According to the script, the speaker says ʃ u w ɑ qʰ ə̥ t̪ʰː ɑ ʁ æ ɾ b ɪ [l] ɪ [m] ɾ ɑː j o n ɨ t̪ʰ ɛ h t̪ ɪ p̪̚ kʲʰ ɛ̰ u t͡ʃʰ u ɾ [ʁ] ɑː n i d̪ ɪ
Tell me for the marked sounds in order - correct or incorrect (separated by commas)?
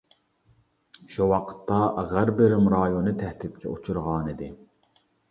incorrect, correct, correct